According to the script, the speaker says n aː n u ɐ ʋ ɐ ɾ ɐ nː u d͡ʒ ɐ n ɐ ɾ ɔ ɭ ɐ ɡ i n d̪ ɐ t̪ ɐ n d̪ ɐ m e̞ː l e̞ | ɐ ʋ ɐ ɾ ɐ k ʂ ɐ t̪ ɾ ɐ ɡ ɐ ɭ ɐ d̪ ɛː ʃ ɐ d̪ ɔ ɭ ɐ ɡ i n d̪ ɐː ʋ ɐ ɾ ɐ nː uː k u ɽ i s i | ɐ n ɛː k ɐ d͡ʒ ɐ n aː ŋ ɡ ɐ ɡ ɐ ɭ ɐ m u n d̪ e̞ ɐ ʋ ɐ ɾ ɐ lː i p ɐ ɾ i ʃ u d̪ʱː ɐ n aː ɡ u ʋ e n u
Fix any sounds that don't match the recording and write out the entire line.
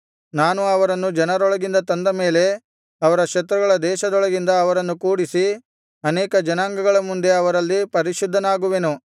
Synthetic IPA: n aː n u ɐ ʋ ɐ ɾ ɐ nː u d͡ʒ ɐ n ɐ ɾ ɔ ɭ ɐ ɡ i n d̪ ɐ t̪ ɐ n d̪ ɐ m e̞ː l e̞ | ɐ ʋ ɐ ɾ ɐ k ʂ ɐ t̪ ɾ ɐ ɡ ɐ ɭ ɐ d̪ ɛː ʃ ɐ d̪ ɔ ɭ ɐ ɡ i n d̪ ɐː ʋ ɐ ɾ ɐ nː u k uː ɽ i s i | ɐ n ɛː k ɐ d͡ʒ ɐ n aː ŋ ɡ ɐ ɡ ɐ ɭ ɐ m u n d̪ e̞ ɐ ʋ ɐ ɾ ɐ lː i p ɐ ɾ i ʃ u d̪ʱː ɐ n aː ɡ u ʋ e n u

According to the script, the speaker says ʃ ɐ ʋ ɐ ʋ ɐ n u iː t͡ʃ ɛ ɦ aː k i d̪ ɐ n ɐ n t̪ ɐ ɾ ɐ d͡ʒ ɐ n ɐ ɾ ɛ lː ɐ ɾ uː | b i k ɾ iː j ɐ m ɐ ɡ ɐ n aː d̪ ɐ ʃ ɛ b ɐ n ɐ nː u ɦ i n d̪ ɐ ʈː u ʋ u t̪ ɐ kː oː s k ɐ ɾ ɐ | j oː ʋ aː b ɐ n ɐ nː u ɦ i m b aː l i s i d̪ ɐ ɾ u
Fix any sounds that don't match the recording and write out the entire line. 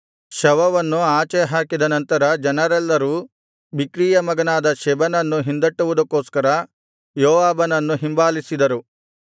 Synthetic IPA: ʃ ɐ ʋ ɐ ʋ ɐ nː u aː t͡ʃ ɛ ɦ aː k i d̪ ɐ n ɐ n t̪ ɐ ɾ ɐ d͡ʒ ɐ n ɐ ɾ ɛ lː ɐ ɾ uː | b i k ɾ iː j ɐ m ɐ ɡ ɐ n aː d̪ ɐ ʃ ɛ b ɐ n ɐ nː u ɦ i n d̪ ɐ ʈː u ʋ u d̪ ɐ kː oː s k ɐ ɾ ɐ | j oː ʋ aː b ɐ n ɐ nː u ɦ i m b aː l i s i d̪ ɐ ɾ u

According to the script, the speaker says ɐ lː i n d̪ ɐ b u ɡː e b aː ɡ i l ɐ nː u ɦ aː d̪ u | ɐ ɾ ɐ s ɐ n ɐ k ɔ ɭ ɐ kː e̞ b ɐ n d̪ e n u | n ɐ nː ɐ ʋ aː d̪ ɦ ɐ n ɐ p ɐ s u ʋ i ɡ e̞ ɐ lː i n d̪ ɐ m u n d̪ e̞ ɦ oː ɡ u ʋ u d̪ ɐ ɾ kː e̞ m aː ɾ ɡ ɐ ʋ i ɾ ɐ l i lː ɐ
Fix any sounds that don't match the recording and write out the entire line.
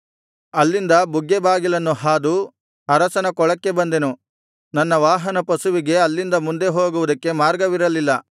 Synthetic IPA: ɐ lː i n d̪ ɐ b u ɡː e b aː ɡ i l ɐ nː u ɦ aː d̪ u | ɐ ɾ ɐ s ɐ n ɐ k ɔ ɭ ɐ kː e̞ b ɐ n d̪ e n u | n ɐ nː ɐ ʋ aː ɦ ɐ n ɐ p ɐ s u ʋ i ɡ e̞ ɐ lː i n d̪ ɐ m u n d̪ e̞ ɦ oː ɡ u ʋ u d̪ ɐ kː e̞ m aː ɾ ɡ ɐ ʋ i ɾ ɐ l i lː ɐ

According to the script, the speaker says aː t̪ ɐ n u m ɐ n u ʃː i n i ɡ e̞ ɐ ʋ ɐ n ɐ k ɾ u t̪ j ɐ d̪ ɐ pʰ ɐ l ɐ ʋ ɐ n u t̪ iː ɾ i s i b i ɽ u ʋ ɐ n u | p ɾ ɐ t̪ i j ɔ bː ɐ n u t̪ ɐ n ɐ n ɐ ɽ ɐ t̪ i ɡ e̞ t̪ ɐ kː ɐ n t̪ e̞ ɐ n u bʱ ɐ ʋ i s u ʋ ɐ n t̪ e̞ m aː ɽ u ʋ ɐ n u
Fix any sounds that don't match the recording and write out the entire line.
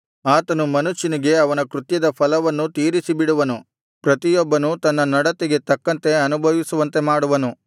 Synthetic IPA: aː t̪ ɐ n u m ɐ n u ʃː i n i ɡ e̞ ɐ ʋ ɐ n ɐ k ɾ u t̪ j ɐ d̪ ɐ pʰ ɐ l ɐ ʋ ɐ nː u t̪ iː ɾ i s i b i ɽ u ʋ ɐ n u | p ɾ ɐ t̪ i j ɔ bː ɐ n u t̪ ɐ nː ɐ n ɐ ɽ ɐ t̪ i ɡ e̞ t̪ ɐ kː ɐ n t̪ e̞ ɐ n u bʱ ɐ ʋ i s u ʋ ɐ n t̪ e̞ m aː ɽ u ʋ ɐ n u

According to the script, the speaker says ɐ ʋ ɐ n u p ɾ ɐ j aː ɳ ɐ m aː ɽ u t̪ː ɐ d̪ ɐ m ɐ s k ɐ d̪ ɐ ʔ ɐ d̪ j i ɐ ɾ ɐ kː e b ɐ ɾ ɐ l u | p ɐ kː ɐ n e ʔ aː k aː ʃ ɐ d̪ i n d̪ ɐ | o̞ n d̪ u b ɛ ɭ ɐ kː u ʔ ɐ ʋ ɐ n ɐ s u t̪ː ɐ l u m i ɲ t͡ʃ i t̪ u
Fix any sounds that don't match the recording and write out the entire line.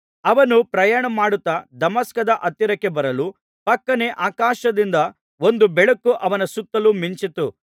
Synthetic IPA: ɐ ʋ ɐ n u p ɾ ɐ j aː ɳ ɐ m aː ɽ u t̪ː ɐ d̪ ɐ m ɐ s k ɐ d̪ ɐ ʔ ɐ t̪ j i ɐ ɾ ɐ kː e b ɐ ɾ ɐ l u | p ɐ kː ɐ n e ʔ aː k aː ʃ ɐ d̪ i n d̪ ɐ | o̞ n d̪ u b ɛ ɭ ɐ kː u ʔ ɐ ʋ ɐ n ɐ s u t̪ː ɐ l u m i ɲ t͡ʃ i t̪ u

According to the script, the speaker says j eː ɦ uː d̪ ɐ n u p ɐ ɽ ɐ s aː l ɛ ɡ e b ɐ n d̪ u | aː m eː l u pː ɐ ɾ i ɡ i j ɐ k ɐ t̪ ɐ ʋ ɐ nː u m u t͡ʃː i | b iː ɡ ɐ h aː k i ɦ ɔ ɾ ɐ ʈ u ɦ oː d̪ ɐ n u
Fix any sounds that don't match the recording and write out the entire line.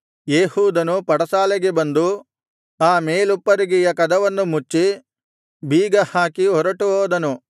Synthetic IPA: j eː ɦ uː d̪ ɐ n u p ɐ ɽ ɐ s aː l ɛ ɡ e b ɐ n d̪ u | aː m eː l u pː ɐ ɾ i ɡ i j ɐ k ɐ d̪ ɐ ʋ ɐ nː u m u t͡ʃː i | b iː ɡ ɐ h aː k i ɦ ɔ ɾ ɐ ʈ u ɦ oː d̪ ɐ n u

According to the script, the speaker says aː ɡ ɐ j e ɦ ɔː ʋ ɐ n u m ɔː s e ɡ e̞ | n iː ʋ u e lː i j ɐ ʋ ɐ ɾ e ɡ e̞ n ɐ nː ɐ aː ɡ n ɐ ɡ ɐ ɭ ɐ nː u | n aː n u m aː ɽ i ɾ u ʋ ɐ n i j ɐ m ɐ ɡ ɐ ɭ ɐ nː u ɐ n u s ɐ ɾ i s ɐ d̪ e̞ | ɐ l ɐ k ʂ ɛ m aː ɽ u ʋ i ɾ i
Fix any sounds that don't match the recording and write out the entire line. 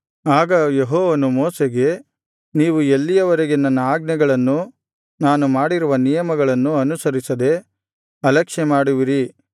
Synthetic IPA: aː ɡ ɐ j e ɦ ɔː ʋ ɐ n u m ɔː s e ɡ e̞ | n iː ʋ u e lː i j ɐ ʋ ɐ ɾ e ɡ e̞ n ɐ nː ɐ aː ɡ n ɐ ɡ ɐ ɭ ɐ nː u | n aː n u m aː ɽ i ɾ u ʋ ɐ n i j ɐ m ɐ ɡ ɐ ɭ ɐ nː u ɐ n u s ɐ ɾ i s ɐ d̪ e̞ | ɐ l ɐ k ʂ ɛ m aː ɽ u ʋ i ɾ i

